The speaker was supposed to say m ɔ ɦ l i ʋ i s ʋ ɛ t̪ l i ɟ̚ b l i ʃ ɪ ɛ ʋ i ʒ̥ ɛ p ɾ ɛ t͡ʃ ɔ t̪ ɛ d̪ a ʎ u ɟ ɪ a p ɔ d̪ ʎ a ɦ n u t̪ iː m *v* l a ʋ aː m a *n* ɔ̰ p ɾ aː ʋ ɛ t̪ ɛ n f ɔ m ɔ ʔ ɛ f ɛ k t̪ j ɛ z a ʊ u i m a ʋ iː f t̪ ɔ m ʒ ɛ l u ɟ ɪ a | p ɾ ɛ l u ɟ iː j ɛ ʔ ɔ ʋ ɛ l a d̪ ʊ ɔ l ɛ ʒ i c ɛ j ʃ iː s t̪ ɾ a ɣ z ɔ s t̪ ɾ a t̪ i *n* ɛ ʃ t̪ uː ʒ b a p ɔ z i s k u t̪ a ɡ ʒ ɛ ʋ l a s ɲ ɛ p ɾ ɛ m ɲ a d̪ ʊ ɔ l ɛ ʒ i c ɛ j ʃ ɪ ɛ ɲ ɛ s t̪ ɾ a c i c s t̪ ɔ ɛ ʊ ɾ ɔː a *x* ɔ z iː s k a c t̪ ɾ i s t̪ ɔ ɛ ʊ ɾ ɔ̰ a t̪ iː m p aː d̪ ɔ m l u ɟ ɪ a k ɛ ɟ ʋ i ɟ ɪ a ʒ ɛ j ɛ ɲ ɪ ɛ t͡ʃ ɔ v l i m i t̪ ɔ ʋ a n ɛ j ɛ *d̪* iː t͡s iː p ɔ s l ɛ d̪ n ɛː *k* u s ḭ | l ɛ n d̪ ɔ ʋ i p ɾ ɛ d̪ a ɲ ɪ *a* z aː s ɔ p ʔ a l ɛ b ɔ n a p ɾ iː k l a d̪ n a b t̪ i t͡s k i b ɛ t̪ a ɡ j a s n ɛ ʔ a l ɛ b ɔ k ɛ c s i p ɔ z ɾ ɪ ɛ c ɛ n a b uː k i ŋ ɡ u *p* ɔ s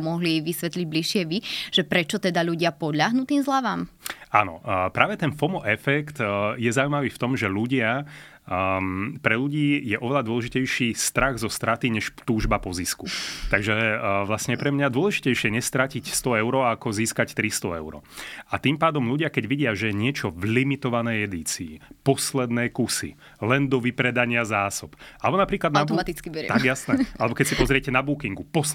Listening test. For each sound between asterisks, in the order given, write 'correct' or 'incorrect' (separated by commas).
incorrect, correct, incorrect, incorrect, correct, correct, correct, correct